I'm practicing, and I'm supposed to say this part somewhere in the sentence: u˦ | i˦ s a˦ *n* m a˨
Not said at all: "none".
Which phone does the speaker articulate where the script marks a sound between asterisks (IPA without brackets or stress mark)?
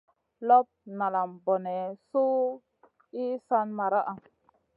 n